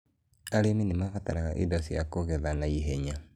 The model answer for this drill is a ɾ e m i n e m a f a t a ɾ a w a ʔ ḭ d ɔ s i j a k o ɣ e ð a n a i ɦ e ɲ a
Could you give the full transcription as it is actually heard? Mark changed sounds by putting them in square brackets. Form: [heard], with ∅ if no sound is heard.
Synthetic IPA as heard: a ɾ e m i n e m a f a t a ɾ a [ɣ] a ʔ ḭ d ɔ s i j a k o ɣ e ð a n a i ɦ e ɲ a